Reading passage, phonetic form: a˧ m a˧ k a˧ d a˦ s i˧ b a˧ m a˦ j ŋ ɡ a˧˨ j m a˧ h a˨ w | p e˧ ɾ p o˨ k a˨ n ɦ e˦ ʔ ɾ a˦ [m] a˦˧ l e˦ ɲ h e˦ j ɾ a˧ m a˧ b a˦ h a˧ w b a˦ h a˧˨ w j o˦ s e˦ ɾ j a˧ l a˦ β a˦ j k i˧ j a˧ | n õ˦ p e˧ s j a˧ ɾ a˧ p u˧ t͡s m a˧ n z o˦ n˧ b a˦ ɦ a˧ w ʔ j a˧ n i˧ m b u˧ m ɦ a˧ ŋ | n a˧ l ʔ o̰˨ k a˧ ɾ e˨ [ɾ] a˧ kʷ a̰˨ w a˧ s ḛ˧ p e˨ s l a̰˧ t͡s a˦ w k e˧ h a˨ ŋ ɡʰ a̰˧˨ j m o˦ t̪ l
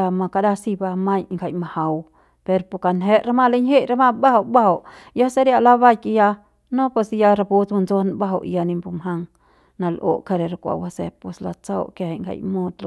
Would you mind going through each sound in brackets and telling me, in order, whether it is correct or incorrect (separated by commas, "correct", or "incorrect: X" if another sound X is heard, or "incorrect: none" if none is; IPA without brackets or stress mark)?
correct, correct